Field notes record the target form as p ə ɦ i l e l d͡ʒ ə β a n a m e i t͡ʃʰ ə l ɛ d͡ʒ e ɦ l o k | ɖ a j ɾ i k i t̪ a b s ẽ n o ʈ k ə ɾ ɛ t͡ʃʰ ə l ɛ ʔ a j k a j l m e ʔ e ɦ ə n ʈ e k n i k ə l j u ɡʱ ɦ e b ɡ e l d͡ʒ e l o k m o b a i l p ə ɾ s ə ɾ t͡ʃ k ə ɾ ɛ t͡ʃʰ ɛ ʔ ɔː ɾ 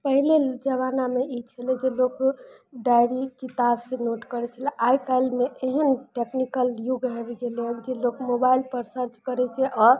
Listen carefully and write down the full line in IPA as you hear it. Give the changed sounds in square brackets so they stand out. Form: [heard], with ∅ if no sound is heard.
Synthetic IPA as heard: p ə ɦ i l e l d͡ʒ ə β a n a m e i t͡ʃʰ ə l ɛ d͡ʒ e [∅] l o k | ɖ a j ɾ i k i t̪ a b s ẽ n o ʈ k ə ɾ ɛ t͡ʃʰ ə l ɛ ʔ a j k a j l m e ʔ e ɦ ə n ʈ e k n i k ə l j u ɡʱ ɦ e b ɡ e l d͡ʒ e l o k m o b a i l p ə ɾ s ə ɾ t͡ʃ k ə ɾ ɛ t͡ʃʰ ɛ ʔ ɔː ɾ